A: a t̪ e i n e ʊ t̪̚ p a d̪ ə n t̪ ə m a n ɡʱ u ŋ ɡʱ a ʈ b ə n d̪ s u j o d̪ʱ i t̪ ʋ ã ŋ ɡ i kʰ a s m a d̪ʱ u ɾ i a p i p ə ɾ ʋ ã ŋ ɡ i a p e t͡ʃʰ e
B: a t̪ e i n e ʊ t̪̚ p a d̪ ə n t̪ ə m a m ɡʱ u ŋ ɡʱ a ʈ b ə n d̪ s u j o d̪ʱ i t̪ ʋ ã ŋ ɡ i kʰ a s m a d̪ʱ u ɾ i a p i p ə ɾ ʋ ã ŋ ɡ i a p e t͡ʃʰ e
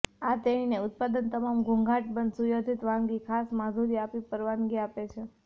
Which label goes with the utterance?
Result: B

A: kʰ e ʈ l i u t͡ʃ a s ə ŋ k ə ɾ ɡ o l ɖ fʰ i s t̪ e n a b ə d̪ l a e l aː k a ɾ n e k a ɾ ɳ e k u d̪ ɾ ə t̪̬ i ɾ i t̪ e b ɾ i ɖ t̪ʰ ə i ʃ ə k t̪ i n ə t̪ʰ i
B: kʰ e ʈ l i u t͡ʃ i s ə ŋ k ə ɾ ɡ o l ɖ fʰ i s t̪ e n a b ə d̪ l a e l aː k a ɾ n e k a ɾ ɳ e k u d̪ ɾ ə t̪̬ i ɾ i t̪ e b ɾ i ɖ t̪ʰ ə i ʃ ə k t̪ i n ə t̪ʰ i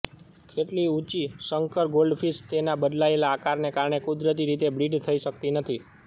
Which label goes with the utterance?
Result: B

